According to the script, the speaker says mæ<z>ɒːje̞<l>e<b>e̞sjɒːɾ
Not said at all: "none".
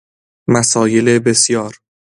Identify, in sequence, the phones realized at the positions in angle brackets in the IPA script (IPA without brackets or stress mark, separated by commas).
s, l, b